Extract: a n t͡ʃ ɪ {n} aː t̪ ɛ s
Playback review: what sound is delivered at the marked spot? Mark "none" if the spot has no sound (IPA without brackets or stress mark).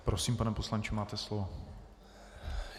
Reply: m